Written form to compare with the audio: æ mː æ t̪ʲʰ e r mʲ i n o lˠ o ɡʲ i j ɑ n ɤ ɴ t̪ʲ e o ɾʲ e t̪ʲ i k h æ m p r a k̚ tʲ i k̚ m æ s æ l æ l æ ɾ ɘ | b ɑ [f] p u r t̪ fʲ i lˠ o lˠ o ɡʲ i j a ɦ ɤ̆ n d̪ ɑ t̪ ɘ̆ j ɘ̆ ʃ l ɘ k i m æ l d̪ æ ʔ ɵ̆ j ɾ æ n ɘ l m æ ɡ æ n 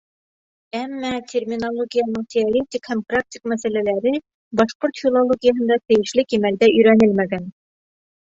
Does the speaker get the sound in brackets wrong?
yes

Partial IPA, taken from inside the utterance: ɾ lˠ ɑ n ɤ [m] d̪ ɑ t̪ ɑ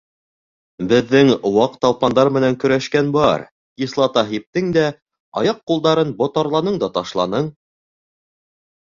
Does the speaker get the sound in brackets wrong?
yes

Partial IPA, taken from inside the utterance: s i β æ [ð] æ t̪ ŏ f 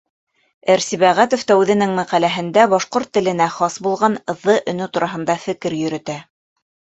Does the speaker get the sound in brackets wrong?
yes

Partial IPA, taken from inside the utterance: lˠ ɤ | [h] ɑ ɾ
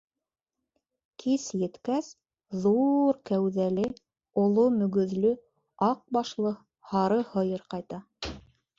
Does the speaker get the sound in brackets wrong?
no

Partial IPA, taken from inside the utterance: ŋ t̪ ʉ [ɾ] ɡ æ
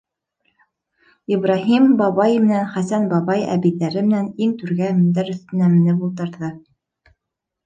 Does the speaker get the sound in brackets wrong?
no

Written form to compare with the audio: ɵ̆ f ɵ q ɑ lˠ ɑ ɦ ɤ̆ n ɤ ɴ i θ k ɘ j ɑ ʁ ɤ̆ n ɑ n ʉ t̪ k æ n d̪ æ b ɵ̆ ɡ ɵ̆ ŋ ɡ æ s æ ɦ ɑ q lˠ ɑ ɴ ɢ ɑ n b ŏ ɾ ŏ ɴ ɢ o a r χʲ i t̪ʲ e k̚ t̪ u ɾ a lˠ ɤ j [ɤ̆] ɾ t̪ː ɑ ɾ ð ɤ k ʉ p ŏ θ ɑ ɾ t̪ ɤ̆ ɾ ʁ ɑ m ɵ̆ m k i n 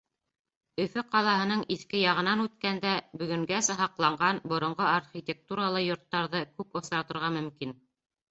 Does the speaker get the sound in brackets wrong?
yes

